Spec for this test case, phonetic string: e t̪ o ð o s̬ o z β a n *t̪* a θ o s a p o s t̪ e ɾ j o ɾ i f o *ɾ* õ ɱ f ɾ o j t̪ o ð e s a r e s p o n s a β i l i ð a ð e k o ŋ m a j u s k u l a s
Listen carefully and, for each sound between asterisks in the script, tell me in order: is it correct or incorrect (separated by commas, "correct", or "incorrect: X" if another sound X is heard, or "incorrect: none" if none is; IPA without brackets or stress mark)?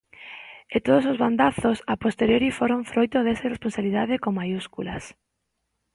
incorrect: d̪, correct